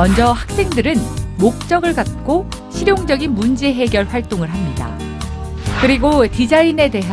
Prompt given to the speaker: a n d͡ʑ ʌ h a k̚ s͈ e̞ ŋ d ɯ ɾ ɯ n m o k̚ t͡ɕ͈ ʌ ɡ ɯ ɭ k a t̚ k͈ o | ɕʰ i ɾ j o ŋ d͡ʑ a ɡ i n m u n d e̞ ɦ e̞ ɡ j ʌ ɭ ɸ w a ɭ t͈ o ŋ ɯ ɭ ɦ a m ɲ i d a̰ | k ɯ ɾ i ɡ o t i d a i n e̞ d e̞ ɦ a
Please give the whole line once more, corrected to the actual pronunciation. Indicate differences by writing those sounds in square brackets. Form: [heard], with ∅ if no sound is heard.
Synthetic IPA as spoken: [ʌ] n d͡ʑ ʌ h a k̚ s͈ e̞ ŋ d ɯ ɾ ɯ n m o k̚ t͡ɕ͈ ʌ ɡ ɯ ɭ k a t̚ k͈ o | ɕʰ i ɾ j o ŋ d͡ʑ [ʌ] ɡ i n m u n [d͡ʑ] e̞ ɦ e̞ ɡ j ʌ ɭ ɸ w a ɭ t͈ o ŋ ɯ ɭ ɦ a m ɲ i d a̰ | k ɯ ɾ i ɡ o t i [d͡ʑ] a i n e̞ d e̞ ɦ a